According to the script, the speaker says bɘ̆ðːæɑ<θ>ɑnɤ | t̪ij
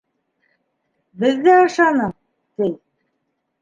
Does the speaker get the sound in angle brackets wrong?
yes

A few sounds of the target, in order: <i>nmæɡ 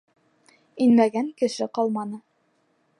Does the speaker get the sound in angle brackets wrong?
no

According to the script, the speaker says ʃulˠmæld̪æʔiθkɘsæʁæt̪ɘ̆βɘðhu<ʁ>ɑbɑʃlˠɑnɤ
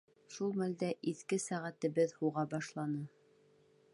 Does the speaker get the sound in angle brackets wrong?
no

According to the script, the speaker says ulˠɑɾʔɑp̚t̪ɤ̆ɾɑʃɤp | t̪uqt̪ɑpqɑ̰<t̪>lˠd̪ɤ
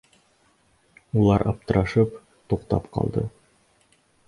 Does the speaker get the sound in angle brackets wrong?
yes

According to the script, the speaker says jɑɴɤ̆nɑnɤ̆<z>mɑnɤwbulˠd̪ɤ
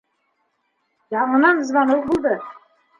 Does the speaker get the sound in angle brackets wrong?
no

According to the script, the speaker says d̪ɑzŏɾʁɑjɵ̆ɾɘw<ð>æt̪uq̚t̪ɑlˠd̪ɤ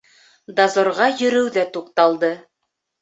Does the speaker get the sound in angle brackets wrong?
no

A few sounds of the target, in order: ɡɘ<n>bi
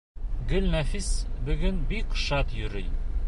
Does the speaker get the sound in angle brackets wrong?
no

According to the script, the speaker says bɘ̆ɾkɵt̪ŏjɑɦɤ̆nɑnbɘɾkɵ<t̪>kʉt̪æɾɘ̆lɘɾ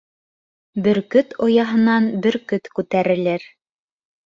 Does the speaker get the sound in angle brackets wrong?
no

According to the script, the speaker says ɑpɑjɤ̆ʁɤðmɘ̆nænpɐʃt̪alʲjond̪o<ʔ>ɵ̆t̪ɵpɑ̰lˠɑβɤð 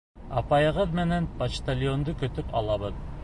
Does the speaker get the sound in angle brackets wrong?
yes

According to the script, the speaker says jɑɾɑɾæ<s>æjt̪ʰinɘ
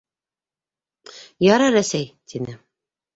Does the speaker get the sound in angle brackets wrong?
no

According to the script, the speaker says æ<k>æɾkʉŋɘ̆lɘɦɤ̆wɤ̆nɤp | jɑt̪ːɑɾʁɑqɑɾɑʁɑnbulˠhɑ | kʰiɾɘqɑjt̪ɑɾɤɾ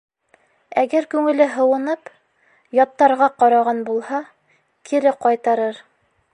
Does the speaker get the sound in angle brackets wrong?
yes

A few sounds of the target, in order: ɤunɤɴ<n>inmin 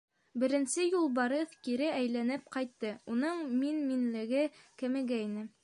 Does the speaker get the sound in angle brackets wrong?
yes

